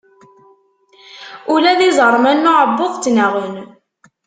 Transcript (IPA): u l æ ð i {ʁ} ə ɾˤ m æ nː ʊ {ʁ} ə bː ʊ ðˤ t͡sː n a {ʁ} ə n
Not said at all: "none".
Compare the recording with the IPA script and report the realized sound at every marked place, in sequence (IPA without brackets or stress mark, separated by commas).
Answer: z, ʕ, ʁ